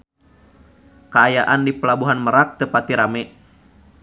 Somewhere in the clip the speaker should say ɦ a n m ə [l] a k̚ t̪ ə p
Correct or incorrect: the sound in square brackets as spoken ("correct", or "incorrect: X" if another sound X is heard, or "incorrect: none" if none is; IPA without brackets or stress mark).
incorrect: ɾ